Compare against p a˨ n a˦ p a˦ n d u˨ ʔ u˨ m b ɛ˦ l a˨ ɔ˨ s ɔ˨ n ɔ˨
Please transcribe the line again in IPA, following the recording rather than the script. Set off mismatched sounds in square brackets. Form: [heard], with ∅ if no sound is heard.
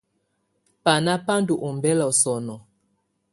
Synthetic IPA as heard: p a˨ n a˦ p a˦ n d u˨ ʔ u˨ m b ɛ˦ l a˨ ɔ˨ s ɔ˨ n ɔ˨